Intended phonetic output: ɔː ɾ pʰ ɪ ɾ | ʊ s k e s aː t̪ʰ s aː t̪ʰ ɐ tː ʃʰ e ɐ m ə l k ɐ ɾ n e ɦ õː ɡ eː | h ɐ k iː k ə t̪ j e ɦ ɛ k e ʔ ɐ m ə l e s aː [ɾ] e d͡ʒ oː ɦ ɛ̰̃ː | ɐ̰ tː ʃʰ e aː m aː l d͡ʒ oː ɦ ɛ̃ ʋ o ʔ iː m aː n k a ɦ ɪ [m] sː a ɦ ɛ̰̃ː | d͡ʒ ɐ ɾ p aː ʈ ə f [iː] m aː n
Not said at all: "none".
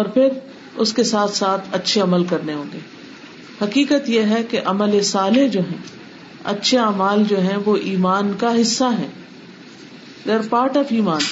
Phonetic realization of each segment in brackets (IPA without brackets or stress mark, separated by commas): l, none, iː